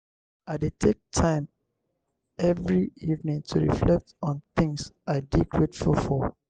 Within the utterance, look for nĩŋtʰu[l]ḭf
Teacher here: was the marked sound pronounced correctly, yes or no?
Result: no